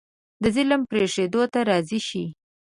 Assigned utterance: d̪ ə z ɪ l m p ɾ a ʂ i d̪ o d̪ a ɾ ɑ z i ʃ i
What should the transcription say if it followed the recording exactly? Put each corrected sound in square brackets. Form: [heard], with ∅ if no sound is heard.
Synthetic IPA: d̪ ə z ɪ l m p ɾ [e] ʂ [e] d̪ o [t̪] a ɾ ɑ z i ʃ i